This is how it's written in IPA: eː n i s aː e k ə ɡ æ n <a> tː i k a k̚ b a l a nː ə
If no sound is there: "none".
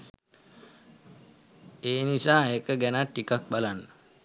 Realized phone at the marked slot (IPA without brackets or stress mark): a